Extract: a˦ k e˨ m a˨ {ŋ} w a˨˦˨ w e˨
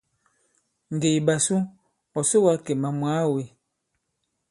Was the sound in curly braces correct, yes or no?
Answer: no